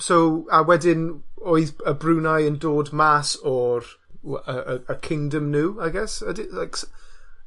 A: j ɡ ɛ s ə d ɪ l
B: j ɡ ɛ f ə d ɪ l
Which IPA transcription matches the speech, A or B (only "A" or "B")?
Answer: A